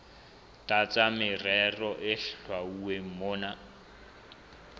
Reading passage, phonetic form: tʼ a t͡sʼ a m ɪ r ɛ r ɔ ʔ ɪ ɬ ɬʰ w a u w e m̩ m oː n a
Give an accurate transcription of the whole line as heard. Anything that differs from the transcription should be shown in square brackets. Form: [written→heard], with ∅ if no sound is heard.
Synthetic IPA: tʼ a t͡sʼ a m ɪ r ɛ r ɔ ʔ ɪ ɬ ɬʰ w a u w e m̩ m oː n a

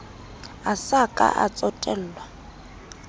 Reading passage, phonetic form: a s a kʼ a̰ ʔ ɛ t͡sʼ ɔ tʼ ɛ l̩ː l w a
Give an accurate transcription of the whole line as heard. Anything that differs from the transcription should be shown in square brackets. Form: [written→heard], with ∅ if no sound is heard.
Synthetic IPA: a s a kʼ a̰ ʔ [ɛ→a] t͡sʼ ɔ tʼ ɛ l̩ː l w a

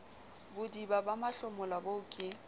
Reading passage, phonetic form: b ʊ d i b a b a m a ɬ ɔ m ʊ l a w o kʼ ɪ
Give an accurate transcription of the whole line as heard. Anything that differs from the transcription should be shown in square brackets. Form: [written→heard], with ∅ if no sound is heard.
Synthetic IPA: b ʊ d i b a b a m a ɬ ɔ m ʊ l a [w→b] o kʼ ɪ

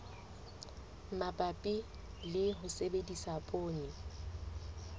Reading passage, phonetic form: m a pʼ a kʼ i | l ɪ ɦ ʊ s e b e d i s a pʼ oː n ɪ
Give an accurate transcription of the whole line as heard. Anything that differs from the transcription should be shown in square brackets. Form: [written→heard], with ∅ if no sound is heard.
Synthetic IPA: m a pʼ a [kʼ→pʼ] i | l ɪ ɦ ʊ s e b e d i s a pʼ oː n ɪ

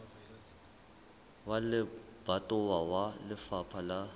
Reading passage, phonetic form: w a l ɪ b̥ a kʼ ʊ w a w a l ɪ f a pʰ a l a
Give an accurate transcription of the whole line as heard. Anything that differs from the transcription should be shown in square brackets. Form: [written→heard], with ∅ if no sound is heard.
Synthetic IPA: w a l ɪ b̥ a [kʼ→tʼ] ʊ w a w a l ɪ f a pʰ a l a

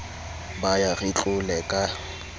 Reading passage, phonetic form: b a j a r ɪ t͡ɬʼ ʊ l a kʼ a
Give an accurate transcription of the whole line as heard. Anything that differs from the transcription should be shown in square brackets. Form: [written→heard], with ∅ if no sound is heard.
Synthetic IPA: b a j a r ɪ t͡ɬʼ ʊ l [a→ɛ] kʼ a

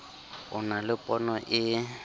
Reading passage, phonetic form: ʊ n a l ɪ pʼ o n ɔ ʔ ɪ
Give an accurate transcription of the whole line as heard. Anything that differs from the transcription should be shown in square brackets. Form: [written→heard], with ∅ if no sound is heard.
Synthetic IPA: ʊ n a l ɪ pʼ [o→ɔ] n ɔ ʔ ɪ

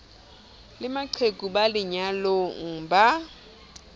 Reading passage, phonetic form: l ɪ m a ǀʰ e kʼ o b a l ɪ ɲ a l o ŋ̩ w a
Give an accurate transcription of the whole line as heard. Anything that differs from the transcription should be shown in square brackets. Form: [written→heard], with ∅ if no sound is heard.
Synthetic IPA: l ɪ m a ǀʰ e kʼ [o→u] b a l ɪ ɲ a l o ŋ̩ [w→b] a

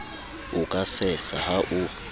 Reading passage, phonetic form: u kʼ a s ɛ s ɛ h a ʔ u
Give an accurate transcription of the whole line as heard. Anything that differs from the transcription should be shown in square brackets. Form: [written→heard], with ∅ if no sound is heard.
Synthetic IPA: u kʼ a s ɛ s [ɛ→a] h a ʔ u

